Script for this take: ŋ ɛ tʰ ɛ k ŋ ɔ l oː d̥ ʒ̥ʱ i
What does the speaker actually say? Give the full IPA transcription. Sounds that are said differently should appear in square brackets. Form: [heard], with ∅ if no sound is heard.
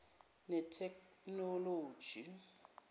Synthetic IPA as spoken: [n] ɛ tʰ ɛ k [n] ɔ l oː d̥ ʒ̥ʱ i